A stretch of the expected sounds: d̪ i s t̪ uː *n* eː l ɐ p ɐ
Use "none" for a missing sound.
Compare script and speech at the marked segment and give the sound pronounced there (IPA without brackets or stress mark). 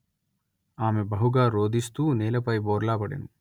n